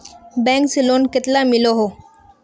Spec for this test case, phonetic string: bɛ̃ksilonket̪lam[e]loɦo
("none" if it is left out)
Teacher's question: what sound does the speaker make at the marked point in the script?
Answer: i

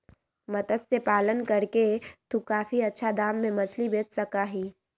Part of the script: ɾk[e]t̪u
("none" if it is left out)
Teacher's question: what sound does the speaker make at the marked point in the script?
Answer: e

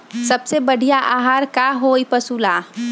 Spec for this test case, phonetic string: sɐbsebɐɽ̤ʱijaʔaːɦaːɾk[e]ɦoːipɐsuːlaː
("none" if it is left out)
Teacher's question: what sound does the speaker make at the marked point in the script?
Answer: a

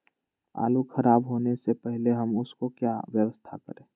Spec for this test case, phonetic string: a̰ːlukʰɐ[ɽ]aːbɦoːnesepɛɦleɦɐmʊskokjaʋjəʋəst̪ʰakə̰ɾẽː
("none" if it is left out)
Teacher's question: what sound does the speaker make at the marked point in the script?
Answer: ɾ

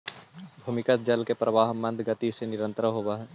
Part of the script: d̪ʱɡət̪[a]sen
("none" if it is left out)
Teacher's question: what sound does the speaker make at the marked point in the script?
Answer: i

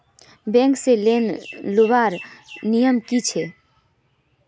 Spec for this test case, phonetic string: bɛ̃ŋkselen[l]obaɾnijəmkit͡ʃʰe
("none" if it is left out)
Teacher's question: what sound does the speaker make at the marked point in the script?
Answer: l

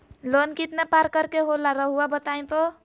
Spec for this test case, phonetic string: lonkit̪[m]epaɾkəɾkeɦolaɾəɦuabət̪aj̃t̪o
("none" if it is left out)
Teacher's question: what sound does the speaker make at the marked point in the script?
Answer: n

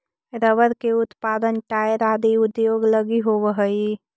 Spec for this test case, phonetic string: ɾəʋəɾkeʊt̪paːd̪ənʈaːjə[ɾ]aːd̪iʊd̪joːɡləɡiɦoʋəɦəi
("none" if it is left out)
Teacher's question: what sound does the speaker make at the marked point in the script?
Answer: ɾ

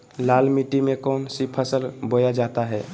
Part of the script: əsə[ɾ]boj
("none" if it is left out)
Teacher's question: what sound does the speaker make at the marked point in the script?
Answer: l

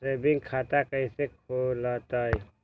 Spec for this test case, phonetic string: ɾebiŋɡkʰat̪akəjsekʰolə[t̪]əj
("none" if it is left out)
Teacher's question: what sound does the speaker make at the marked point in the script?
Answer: t̪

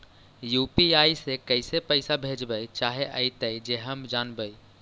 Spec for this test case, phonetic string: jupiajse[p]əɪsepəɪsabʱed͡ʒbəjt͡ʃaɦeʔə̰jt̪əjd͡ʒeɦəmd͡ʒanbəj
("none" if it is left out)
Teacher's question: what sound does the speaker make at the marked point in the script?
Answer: k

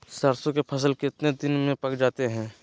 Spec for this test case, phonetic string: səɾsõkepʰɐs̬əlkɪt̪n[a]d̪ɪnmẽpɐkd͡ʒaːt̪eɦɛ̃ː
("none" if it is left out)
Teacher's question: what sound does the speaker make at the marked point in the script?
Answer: e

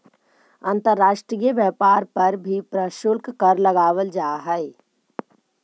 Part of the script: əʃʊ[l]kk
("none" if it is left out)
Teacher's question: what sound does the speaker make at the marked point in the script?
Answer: l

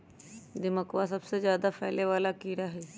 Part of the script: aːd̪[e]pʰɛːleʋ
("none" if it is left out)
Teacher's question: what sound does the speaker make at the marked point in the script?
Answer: a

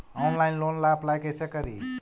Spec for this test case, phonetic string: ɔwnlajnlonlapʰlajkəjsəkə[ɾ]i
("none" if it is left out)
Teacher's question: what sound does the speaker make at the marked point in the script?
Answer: ɾ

